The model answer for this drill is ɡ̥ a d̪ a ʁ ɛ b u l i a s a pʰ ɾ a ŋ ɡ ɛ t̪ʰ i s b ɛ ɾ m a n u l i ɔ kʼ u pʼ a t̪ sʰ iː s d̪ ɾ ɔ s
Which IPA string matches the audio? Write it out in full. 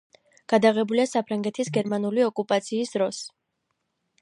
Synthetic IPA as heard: ɡ̥ a d̪ a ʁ ɛ b u l i a s a pʰ ɾ a ŋ ɡ ɛ t̪ʰ i s ɡ ɛ ɾ m a n u l i ɔ kʼ u pʼ a t̪ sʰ iː s d̪ ɾ ɔ s